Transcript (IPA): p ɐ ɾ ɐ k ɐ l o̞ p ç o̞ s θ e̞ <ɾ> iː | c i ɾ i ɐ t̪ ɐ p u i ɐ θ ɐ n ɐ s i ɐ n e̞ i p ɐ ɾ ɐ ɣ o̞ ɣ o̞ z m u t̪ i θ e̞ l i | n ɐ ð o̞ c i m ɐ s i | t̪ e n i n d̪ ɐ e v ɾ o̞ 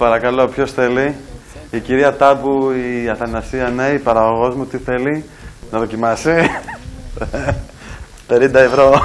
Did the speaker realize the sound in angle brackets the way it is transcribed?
no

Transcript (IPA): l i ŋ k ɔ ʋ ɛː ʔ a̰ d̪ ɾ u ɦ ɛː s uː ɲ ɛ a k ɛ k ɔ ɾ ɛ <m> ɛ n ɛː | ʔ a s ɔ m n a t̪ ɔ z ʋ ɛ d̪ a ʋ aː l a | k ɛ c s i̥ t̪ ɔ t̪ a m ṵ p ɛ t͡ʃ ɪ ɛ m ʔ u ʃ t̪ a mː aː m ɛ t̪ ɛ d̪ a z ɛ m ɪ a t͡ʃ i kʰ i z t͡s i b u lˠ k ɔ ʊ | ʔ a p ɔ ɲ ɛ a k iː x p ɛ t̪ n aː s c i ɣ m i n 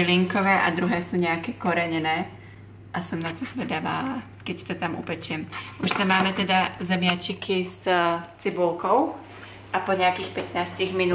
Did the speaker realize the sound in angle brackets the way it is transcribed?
no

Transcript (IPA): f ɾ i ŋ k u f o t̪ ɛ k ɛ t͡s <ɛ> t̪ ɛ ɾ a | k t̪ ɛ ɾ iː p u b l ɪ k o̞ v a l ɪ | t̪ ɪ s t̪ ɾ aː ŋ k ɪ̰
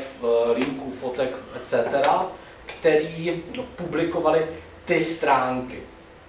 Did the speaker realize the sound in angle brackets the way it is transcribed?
yes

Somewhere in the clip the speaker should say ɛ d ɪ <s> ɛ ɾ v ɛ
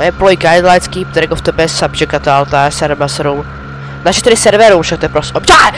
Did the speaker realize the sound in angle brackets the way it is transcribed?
yes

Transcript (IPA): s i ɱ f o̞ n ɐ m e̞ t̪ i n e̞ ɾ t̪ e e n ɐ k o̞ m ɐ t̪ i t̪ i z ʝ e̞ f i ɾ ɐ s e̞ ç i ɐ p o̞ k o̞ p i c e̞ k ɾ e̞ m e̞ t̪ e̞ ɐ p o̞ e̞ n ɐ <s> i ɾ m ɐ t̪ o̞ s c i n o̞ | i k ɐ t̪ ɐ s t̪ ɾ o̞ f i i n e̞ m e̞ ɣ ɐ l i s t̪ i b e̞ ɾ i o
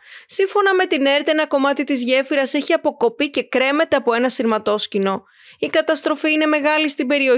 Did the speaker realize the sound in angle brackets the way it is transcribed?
yes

